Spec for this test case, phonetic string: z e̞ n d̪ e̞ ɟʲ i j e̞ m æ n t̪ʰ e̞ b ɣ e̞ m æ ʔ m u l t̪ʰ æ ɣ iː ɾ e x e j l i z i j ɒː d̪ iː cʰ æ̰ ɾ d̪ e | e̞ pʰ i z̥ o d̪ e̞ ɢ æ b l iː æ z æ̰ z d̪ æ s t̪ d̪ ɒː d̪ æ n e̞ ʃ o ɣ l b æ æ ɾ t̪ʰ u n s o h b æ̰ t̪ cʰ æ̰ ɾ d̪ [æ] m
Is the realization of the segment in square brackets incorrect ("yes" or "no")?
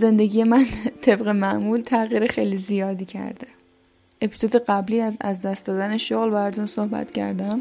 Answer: no